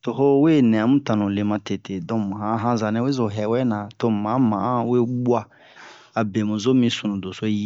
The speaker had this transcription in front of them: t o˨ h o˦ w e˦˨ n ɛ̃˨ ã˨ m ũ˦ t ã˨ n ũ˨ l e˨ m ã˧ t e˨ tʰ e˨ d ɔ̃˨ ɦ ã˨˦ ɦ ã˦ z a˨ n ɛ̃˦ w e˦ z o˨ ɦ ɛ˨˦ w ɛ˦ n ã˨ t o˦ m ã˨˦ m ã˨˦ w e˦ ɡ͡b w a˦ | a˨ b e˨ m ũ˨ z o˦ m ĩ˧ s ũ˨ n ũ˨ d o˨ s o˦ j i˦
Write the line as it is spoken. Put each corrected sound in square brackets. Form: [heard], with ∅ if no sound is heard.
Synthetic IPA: t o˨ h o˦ w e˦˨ n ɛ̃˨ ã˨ m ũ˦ t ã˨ n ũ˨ l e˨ m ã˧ t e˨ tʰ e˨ d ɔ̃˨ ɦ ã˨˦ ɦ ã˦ z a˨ n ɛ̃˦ w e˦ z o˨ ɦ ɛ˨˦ w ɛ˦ n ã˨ t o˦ m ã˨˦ m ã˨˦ w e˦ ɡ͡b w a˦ | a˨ b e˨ m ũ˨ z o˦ m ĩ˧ s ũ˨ n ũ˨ d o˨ s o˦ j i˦